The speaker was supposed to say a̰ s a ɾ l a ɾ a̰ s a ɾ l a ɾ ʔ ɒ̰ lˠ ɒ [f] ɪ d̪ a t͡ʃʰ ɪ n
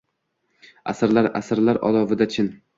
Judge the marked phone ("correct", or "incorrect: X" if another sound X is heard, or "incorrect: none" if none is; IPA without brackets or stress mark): incorrect: v